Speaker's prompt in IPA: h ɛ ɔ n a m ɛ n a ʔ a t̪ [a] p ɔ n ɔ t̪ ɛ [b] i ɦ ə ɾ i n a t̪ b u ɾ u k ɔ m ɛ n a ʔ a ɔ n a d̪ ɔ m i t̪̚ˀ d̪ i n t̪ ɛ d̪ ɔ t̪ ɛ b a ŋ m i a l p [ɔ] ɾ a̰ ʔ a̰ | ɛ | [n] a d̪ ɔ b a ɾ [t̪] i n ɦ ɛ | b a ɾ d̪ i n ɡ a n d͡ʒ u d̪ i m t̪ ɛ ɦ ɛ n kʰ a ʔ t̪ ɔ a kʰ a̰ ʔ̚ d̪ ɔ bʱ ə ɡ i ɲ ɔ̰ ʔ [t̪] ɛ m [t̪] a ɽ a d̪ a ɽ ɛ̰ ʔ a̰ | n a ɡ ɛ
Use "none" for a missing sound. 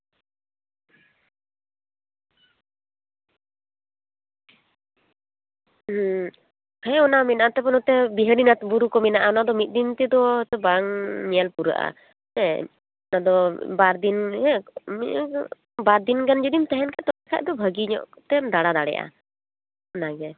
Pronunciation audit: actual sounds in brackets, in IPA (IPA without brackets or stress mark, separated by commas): ɛ, b, u, n, d̪, t̪, d̪